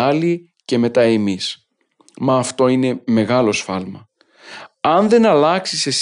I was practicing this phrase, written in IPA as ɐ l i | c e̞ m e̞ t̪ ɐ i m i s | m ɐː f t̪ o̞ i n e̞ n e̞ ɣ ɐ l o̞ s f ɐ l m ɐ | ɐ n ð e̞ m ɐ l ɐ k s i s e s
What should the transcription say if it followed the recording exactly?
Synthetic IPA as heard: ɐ l i | c e̞ m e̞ t̪ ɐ e m i s | m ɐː f t̪ o̞ i n e̞ m e̞ ɣ ɐ l o̞ s f ɐ l m ɐ | ɐ n ð e̞ n ɐ l ɐ k s i s e s